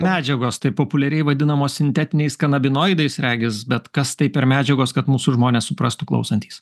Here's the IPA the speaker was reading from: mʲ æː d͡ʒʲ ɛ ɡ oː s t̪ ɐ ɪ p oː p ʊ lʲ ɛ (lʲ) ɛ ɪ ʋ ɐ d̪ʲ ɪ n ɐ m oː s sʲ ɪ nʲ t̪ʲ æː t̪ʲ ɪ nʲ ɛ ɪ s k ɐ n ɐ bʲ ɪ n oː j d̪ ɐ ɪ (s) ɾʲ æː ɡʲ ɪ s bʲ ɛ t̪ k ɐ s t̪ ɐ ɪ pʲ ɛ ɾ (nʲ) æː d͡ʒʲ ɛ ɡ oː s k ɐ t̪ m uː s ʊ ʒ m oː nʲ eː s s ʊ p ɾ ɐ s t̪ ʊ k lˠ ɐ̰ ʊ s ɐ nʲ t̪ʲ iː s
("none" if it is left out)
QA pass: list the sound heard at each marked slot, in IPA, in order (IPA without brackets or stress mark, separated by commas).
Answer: ɾʲ, s, mʲ